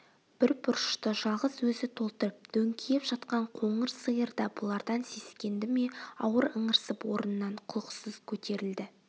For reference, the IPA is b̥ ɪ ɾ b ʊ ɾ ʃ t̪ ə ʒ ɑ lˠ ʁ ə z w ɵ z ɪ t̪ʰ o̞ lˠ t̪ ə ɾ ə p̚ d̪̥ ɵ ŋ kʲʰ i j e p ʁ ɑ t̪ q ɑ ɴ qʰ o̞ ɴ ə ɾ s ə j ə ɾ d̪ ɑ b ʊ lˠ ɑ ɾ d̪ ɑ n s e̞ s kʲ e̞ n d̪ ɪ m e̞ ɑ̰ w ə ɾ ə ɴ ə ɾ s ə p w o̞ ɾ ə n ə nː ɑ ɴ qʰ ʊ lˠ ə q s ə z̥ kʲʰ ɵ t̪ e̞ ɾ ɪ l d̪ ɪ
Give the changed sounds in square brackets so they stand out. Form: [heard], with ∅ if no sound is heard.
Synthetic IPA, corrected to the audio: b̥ ɪ ɾ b ʊ ɾ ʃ t̪ ə ʒ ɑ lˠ ʁ ə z w ɵ z ɪ t̪ʰ o̞ lˠ t̪ ə ɾ ə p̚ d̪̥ ɵ ŋ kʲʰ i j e p [ʒ] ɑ t̪ q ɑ ɴ qʰ o̞ ɴ ə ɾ s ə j ə ɾ d̪ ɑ b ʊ lˠ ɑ ɾ d̪ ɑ n s e̞ s kʲ e̞ n d̪ ɪ m e̞ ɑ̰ w ə ɾ ə ɴ ə ɾ s ə p w o̞ ɾ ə n ə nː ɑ ɴ qʰ ʊ lˠ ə q s ə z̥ kʲʰ ɵ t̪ e̞ ɾ ɪ l d̪ ɪ

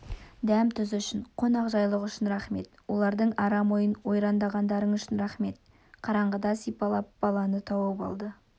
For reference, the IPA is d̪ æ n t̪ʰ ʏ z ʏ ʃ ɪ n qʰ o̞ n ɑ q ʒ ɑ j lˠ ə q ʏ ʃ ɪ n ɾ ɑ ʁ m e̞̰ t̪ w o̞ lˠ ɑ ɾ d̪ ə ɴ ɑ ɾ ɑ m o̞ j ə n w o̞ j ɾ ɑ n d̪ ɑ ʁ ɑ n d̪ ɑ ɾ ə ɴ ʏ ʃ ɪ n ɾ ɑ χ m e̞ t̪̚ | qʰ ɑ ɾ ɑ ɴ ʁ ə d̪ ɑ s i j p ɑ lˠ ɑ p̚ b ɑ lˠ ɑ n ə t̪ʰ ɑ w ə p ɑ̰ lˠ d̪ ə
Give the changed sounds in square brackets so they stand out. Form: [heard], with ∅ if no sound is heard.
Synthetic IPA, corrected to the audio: d̪ æ [m] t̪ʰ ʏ z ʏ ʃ ɪ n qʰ o̞ n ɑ q ʒ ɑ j lˠ ə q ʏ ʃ ɪ n ɾ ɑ [χ] m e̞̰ t̪ w o̞ lˠ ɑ ɾ d̪ ə ɴ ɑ ɾ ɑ m o̞ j ə n w o̞ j ɾ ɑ n d̪ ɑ ʁ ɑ n d̪ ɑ ɾ ə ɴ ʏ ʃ ɪ n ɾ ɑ χ m e̞ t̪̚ | qʰ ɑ ɾ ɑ ɴ ʁ ə d̪ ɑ s i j p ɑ lˠ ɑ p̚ b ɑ lˠ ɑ n ə t̪ʰ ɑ w ə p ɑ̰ lˠ d̪ ə

